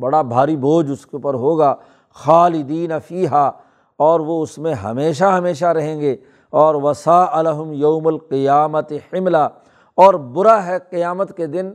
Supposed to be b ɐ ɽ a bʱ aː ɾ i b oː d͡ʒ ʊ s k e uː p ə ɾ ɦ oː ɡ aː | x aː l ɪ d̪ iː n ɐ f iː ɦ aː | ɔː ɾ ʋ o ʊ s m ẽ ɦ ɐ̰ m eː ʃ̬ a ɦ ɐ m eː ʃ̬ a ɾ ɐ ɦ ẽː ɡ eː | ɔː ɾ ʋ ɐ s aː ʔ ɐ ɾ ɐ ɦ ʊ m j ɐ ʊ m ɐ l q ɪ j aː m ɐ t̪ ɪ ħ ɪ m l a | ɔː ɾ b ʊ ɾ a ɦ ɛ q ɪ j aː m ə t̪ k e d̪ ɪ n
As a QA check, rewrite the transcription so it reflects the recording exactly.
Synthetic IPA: b ɐ ɽ a bʱ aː ɾ i b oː d͡ʒ ʊ s k e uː p ə ɾ ɦ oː ɡ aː | x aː l ɪ d̪ iː n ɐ f iː ɦ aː | ɔː ɾ ʋ o ʊ s m ẽ ɦ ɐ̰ m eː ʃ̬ a ɦ ɐ m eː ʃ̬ a ɾ ɐ ɦ ẽː ɡ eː | ɔː ɾ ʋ ɐ s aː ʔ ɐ l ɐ ɦ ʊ m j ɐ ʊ m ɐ l q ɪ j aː m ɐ t̪ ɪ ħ ɪ m l a | ɔː ɾ b ʊ ɾ a ɦ ɛ q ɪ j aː m ə t̪ k e d̪ ɪ n